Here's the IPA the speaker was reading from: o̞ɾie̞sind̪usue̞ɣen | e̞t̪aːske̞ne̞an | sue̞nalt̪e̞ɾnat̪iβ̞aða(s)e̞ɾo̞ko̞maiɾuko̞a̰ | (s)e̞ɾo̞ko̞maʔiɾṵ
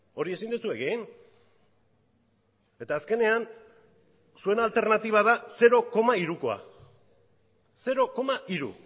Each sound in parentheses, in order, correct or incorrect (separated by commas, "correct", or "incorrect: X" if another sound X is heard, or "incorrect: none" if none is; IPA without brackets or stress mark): correct, correct